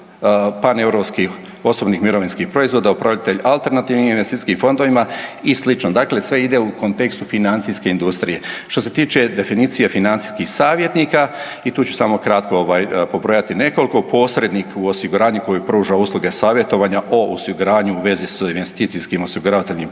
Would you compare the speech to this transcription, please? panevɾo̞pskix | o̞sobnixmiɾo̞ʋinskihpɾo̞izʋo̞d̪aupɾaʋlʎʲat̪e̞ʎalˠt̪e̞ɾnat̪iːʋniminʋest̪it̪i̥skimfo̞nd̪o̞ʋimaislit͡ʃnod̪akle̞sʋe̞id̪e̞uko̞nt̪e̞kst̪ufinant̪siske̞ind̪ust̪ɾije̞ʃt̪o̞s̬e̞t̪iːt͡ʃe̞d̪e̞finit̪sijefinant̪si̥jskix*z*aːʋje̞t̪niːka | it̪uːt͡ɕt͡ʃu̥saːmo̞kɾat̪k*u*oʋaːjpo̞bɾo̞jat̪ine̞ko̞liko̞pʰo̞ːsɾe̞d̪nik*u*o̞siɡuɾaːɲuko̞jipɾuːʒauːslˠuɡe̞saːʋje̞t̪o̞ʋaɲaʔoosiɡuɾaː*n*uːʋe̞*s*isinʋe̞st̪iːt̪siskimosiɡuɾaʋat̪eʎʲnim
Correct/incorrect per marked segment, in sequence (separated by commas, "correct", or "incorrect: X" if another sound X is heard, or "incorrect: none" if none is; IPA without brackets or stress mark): incorrect: s, incorrect: o, correct, incorrect: ɲ, incorrect: z